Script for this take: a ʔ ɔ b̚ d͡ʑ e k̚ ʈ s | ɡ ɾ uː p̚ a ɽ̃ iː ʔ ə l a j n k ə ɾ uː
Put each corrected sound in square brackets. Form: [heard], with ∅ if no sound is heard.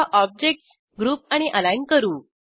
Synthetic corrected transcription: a ʔ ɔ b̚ d͡ʑ e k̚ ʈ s | ɡ ɾ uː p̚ a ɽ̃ [i] ʔ ə l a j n k ə ɾ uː